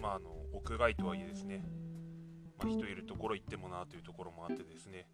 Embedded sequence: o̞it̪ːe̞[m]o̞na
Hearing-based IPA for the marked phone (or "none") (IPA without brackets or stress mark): m